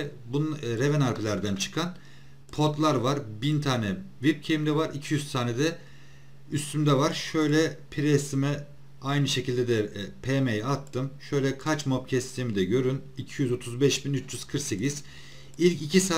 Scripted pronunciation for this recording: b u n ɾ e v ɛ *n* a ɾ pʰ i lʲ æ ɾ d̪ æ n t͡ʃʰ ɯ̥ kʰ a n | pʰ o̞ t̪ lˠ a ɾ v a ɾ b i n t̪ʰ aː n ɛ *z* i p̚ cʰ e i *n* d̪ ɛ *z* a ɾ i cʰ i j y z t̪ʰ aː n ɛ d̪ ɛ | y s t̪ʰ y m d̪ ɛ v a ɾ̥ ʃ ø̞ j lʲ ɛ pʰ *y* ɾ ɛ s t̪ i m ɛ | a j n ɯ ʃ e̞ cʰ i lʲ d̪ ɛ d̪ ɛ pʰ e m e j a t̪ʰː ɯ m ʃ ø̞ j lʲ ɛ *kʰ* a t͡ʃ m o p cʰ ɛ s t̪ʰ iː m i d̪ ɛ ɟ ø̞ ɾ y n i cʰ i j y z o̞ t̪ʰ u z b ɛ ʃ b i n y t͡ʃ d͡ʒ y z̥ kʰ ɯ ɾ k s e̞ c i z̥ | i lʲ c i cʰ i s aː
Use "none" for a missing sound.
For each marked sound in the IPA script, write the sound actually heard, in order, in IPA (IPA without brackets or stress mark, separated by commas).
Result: n, v, m, v, i, kʰ